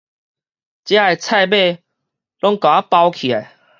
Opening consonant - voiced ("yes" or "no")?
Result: no